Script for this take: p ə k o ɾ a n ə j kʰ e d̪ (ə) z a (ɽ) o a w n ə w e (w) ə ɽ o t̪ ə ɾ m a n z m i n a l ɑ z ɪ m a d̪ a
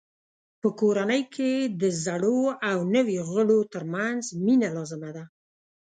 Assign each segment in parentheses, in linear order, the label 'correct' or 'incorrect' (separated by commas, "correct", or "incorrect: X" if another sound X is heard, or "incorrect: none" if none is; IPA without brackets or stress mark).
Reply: correct, correct, incorrect: ɣ